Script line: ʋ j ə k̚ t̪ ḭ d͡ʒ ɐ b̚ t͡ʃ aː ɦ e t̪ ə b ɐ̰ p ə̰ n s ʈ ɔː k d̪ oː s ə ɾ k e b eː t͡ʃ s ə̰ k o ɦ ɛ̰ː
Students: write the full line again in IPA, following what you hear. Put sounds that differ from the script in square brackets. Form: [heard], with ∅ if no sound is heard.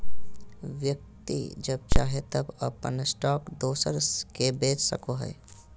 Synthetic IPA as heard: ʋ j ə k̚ t̪ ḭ d͡ʒ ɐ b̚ t͡ʃ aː ɦ e t̪ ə b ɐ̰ p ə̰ n s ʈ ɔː k d̪ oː s ə ɾ k e b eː t͡ʃ s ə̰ k o ɦ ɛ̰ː